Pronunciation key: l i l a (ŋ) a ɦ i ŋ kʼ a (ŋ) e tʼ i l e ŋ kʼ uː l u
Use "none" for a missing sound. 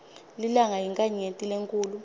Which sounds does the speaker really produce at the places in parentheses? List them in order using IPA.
ŋ, ɲ

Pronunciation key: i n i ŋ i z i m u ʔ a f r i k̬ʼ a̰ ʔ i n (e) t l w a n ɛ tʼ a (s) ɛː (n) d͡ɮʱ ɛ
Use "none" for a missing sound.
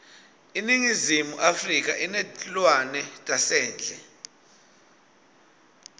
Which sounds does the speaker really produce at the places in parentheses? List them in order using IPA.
ɛ, s, n

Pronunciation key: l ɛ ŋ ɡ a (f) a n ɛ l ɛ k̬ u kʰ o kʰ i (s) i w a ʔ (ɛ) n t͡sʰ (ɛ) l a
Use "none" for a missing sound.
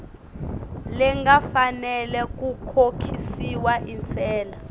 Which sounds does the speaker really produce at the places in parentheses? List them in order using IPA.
f, s, i, ɛː

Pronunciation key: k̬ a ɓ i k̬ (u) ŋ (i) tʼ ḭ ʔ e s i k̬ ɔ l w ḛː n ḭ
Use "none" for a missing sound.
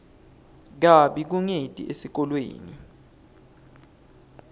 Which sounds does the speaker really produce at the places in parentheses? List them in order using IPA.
u, e

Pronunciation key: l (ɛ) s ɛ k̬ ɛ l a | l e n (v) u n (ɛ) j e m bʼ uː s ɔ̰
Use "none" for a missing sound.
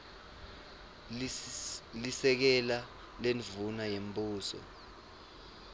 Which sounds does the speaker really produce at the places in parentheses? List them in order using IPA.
i, v, a

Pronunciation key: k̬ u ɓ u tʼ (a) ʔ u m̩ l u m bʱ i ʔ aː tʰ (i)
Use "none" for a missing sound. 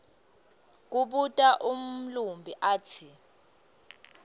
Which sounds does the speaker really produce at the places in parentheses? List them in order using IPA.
a, i

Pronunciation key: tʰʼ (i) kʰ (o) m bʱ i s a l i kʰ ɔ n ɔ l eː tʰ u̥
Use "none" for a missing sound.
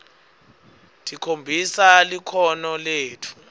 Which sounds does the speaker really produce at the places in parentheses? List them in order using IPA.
i, o

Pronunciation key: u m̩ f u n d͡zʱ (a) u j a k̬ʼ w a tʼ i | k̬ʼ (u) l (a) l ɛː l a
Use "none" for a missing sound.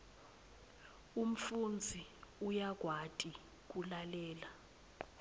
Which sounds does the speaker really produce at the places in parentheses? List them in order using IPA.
i, u, a

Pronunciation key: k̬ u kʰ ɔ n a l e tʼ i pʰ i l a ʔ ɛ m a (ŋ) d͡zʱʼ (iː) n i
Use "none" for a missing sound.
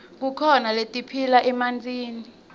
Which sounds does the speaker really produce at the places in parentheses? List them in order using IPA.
n, iː

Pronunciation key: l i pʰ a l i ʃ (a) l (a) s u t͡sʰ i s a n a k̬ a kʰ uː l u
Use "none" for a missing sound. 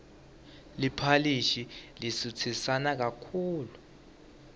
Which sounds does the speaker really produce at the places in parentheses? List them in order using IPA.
i, i

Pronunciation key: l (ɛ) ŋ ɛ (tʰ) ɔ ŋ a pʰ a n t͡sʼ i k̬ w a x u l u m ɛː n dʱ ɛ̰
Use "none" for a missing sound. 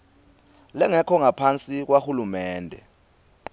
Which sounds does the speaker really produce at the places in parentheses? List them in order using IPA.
ɛ, kʰ

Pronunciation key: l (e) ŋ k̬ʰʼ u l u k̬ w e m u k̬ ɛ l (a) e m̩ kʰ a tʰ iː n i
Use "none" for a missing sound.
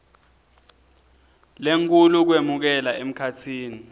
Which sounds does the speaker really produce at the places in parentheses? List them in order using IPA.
e, a

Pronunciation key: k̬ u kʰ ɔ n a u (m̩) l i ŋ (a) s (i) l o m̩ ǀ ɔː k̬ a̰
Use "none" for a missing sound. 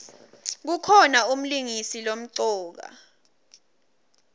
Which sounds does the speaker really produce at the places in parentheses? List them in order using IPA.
m̩, i, i

